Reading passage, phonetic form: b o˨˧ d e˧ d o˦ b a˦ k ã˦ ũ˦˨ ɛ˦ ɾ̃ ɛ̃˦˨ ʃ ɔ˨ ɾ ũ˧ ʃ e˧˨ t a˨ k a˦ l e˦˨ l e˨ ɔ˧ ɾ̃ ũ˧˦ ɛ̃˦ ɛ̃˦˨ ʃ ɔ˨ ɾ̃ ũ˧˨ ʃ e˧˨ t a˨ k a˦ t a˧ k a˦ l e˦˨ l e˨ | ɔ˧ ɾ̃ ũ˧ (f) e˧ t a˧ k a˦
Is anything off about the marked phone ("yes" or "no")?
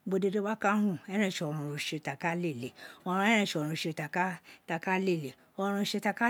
yes